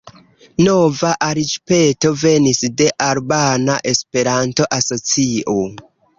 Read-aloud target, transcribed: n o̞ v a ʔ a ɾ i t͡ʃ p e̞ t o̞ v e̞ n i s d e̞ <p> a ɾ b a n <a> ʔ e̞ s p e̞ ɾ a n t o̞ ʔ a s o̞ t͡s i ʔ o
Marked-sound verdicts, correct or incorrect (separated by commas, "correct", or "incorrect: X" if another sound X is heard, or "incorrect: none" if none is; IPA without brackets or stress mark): incorrect: ʔ, correct